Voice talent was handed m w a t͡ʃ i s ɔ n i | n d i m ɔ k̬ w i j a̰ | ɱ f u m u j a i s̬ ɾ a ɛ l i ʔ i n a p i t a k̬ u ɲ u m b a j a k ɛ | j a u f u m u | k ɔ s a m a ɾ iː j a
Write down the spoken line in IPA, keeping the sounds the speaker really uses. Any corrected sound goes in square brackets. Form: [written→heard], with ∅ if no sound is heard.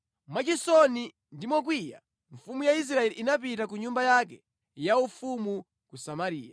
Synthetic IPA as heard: m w a t͡ʃ i s ɔ n i | n d i m ɔ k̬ w i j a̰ | ɱ f u m u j a i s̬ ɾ a ɛ l i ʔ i n a p i t a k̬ u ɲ u m b a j a k ɛ | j a u f u m u | k [ɔ→u] s a m a ɾ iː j a